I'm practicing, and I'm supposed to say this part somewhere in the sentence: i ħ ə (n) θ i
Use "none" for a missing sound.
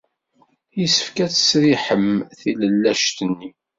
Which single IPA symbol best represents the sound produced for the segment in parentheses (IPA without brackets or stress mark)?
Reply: m